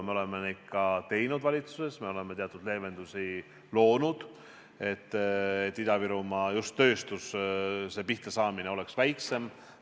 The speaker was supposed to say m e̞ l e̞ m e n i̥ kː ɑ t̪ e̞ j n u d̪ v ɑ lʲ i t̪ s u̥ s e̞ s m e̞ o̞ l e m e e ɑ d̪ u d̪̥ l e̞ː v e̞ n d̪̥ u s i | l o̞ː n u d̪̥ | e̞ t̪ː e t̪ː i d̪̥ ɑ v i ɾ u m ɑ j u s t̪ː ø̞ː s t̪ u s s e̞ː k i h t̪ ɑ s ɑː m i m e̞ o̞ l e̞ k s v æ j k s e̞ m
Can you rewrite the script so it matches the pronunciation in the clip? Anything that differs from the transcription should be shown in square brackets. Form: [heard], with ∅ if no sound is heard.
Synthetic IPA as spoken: m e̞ l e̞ m e n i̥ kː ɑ t̪ e̞ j n u d̪ v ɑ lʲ i t̪ s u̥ s e̞ s m e̞ o̞ l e m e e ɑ [t̪] u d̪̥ l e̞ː v e̞ n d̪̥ u s i | l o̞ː n u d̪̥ | e̞ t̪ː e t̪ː i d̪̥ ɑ v i ɾ u m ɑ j u s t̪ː ø̞ː s t̪ u s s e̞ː [p] i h t̪ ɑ s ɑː m i [n] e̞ o̞ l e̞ k s v æ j k s e̞ m